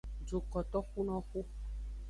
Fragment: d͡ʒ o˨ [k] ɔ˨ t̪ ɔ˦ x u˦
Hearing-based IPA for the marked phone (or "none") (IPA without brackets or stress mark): k